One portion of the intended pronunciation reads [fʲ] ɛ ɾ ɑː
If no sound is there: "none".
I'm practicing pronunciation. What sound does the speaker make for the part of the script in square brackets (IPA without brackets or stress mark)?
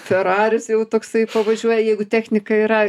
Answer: fʲ